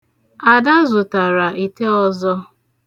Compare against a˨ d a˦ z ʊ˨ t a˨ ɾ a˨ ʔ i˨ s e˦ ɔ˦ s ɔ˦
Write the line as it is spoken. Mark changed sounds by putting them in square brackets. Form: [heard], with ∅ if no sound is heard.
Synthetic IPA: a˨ d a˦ z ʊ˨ t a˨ ɾ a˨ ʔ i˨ [t] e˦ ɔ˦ [z] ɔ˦

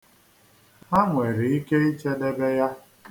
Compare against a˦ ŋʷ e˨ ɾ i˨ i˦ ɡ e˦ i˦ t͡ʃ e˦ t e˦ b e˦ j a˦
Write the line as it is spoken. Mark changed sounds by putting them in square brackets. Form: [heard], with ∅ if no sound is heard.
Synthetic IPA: a˦ ŋʷ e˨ ɾ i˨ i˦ [k] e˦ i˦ t͡ʃ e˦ [d] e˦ b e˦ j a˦

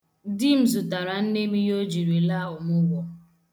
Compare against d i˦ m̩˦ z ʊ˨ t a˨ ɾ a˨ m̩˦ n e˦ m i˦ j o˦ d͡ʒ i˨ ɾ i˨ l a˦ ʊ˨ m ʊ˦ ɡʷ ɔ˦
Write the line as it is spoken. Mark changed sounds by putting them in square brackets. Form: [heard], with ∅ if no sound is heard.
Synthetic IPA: d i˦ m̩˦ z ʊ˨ t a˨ ɾ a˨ [n̩˦] n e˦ m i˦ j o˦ d͡ʒ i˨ ɾ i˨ l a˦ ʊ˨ m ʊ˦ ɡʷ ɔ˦

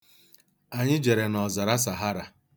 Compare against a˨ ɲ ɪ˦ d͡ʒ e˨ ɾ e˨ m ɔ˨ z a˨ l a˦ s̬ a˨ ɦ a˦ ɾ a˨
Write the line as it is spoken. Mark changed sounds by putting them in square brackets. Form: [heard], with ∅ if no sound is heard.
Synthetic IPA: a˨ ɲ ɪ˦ d͡ʒ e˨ ɾ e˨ [n] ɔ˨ z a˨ [ɾ] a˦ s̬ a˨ ɦ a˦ ɾ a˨

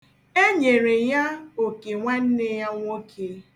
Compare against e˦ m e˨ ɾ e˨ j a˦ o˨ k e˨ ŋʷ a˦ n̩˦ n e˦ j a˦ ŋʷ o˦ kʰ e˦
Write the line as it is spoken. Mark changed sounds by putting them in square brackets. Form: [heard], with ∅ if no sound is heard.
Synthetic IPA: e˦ [ɲ] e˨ ɾ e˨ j a˦ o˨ k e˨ ŋʷ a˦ n̩˦ n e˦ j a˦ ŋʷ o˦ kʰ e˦

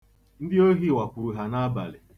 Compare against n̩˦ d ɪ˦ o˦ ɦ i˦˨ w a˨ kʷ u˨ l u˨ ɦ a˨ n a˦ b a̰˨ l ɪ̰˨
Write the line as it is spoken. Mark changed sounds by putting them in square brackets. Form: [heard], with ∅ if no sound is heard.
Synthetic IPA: n̩˦ d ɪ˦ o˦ ɦ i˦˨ w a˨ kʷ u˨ [ɾ] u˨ ɦ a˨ n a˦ b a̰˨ l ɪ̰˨

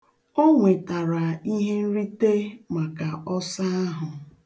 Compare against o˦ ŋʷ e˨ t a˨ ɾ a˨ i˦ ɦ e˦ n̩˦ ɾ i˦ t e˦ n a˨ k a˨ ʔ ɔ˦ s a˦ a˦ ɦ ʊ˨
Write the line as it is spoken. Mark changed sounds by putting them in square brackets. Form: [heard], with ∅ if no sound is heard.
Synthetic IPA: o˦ ŋʷ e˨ t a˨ ɾ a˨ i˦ ɦ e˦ n̩˦ ɾ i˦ t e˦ [m] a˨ k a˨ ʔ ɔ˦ s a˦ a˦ ɦ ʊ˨

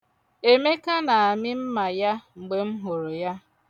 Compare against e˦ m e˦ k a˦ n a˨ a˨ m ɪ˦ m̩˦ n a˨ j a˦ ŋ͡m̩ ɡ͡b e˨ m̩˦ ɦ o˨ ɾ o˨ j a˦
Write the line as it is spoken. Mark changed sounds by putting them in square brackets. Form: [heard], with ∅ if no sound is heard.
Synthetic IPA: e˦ m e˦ k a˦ n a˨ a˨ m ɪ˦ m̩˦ [m] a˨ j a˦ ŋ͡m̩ ɡ͡b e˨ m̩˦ ɦ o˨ ɾ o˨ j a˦

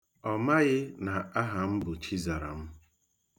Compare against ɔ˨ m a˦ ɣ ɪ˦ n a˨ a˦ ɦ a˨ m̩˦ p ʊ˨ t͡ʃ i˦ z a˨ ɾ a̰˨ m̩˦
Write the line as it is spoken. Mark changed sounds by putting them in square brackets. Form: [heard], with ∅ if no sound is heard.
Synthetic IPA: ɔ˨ m a˦ ɣ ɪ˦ n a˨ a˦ ɦ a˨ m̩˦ [b] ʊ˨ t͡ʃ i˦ z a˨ ɾ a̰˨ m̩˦

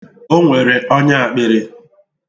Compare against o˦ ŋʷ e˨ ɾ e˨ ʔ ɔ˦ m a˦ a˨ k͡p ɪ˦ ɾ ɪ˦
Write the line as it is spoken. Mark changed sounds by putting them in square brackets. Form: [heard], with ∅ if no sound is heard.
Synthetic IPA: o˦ ŋʷ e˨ ɾ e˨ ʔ ɔ˦ [ɲ] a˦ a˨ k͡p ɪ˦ ɾ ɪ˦

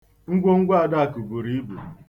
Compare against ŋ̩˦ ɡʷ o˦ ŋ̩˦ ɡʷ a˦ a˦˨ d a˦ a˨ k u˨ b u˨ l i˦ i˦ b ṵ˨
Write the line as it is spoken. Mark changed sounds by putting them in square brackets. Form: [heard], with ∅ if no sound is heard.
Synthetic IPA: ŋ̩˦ ɡʷ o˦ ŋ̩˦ ɡʷ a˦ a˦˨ d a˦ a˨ k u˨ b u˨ [ɾ] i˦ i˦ b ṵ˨

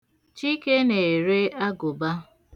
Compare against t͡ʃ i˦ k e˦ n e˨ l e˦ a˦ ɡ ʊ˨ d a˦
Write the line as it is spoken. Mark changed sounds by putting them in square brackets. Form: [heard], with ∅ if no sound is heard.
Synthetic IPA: t͡ʃ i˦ k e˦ n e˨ [ɾ] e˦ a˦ ɡ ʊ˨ [b] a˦

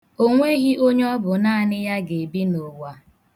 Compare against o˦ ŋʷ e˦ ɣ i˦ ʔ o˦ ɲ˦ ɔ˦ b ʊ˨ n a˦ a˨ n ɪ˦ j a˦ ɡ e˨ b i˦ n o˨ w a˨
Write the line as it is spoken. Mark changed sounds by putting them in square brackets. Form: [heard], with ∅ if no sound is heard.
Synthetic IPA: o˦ ŋʷ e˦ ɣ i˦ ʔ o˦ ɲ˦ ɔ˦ b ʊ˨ n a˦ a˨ n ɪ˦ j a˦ ɡ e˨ b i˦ n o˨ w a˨

